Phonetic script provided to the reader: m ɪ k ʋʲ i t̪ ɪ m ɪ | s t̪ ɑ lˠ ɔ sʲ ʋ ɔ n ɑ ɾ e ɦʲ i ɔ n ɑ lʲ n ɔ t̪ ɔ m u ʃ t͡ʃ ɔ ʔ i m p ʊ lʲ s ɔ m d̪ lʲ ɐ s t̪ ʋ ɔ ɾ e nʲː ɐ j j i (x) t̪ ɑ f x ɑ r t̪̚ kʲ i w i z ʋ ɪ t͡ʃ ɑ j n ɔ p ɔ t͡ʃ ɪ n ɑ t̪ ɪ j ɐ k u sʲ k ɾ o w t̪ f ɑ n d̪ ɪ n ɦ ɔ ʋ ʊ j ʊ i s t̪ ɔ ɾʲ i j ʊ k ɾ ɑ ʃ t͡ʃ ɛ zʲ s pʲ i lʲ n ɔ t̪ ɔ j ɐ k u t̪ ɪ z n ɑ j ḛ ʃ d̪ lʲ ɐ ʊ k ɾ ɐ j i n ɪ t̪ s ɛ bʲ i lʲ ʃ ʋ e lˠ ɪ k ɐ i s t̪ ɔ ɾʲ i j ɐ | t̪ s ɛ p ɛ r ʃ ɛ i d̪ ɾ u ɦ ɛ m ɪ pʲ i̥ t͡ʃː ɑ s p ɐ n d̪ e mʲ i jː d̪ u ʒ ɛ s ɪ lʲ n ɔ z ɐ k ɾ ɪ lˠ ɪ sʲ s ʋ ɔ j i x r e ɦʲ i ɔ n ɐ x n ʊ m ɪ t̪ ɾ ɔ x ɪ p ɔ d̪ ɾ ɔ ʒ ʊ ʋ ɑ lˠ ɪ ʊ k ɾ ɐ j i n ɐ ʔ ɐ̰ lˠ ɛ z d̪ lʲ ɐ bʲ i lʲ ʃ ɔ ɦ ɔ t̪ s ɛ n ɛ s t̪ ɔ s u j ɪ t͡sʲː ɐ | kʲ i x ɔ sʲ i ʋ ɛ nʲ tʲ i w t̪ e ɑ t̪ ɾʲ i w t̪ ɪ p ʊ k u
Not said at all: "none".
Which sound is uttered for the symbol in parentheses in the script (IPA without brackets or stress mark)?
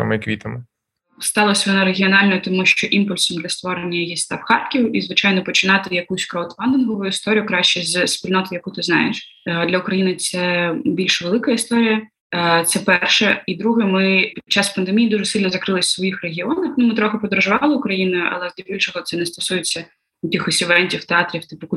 s